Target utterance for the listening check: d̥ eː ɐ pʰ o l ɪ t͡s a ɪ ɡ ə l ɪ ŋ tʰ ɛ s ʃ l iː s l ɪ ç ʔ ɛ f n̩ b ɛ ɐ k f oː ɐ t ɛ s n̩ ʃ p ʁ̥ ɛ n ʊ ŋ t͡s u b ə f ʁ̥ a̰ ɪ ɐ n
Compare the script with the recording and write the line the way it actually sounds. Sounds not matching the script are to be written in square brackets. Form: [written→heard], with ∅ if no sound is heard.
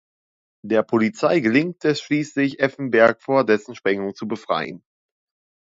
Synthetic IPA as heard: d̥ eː ɐ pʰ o l [ɪ→i] t͡s a ɪ ɡ ə l ɪ ŋ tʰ ɛ s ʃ l iː s l ɪ ç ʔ ɛ f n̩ b ɛ ɐ k f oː ɐ [t→d] ɛ s n̩ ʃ p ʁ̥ ɛ [n→ŋ] ʊ ŋ t͡s u b ə f ʁ̥ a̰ ɪ [ɐ→ə] n